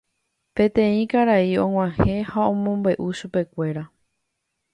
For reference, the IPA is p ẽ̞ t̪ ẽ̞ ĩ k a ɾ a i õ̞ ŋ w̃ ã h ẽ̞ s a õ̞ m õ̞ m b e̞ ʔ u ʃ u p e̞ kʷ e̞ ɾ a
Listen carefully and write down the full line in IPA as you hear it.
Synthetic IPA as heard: p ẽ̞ t̪ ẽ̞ ĩ k a ɾ a i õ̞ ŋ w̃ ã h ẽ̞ h a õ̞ m õ̞ m b e̞ ʔ u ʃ u p e̞ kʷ e̞ ɾ a